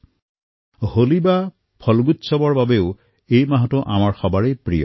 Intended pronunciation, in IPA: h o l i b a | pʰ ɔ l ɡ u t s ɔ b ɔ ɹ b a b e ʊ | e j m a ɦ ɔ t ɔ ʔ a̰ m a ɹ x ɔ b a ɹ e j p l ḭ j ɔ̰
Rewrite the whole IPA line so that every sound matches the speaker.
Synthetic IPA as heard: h o l i b a | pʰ ɔ l ɡ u t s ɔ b ɔ ɹ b a b e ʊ | e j m a ɦ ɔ t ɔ ʔ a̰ m a ɹ x ɔ b a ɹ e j p ɹ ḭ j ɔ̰